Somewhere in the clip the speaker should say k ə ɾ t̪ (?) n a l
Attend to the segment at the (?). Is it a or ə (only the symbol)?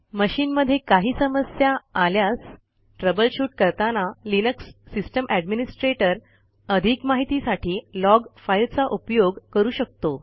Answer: a